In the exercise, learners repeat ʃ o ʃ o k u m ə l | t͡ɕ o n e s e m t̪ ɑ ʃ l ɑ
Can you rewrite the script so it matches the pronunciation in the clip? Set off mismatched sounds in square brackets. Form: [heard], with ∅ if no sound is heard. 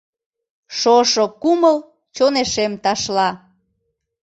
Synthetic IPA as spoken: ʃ o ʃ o k u m ə l | t͡ɕ o n e [ʃ] e m t̪ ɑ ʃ l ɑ